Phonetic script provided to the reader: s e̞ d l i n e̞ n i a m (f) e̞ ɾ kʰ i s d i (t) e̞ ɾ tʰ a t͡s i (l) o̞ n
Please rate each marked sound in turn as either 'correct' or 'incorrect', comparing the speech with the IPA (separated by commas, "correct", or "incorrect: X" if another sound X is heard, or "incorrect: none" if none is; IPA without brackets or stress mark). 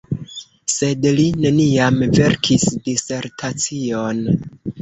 incorrect: v, incorrect: s, incorrect: none